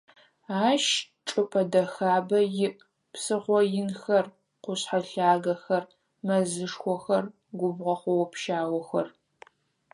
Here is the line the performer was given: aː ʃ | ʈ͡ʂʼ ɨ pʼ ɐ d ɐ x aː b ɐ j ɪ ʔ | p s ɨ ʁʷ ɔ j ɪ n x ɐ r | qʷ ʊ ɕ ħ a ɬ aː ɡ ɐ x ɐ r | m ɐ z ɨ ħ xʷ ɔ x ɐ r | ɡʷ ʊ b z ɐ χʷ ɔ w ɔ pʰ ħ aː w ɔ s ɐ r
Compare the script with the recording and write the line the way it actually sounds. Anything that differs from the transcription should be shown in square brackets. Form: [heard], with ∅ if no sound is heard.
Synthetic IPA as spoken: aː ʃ | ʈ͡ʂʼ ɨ pʼ ɐ d ɐ x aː b ɐ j ɪ ʔ | p s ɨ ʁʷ ɔ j ɪ n x ɐ r | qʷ ʊ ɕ ħ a ɬ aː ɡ ɐ x ɐ r | m ɐ z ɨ [ʂ] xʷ ɔ x ɐ r | ɡʷ ʊ b [ʁ] ɐ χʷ ɔ w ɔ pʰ [ʃ] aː w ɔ [x] ɐ r